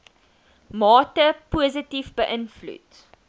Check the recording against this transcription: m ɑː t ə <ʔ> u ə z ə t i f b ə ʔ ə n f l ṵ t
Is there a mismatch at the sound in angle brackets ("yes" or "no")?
yes